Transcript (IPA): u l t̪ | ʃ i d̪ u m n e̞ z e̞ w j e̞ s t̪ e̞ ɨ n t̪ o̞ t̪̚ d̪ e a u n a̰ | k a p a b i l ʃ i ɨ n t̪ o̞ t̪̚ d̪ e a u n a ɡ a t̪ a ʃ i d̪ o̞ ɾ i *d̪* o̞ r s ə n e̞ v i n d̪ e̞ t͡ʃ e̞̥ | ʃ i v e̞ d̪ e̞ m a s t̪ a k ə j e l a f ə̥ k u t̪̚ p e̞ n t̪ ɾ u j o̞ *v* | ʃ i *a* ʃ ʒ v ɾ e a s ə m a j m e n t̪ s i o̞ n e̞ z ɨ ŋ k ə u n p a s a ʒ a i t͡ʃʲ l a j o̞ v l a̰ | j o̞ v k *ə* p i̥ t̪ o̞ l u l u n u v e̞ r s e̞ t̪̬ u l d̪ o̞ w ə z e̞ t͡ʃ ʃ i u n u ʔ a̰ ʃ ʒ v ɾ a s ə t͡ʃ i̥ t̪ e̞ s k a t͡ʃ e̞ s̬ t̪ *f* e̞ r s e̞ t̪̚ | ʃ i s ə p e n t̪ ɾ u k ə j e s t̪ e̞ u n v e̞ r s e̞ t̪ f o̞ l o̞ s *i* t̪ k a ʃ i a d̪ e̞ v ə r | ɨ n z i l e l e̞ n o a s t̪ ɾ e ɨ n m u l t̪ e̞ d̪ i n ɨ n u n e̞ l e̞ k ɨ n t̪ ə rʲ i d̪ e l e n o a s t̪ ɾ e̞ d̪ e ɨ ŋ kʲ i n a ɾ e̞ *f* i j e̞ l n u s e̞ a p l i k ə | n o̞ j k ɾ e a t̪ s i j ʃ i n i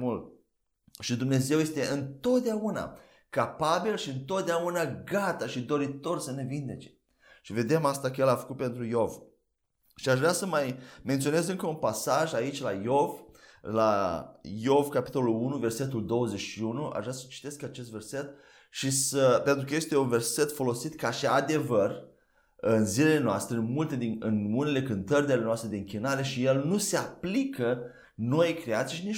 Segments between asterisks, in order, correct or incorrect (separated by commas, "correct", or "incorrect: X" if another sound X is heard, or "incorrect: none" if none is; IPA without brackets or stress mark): incorrect: t̪, correct, correct, incorrect: a, incorrect: v, correct, incorrect: ʃ